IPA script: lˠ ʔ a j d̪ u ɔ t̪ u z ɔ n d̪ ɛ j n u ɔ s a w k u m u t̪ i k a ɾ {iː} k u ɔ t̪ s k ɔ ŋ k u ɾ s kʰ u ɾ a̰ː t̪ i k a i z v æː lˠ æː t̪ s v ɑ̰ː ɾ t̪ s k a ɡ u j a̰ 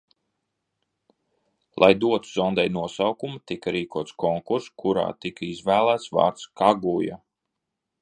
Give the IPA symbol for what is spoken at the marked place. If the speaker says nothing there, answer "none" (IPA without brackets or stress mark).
iː